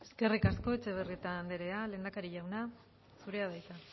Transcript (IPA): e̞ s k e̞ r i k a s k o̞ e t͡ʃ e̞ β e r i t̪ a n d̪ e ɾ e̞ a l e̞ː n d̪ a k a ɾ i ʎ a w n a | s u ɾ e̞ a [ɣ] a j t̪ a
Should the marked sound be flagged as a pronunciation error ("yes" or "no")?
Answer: yes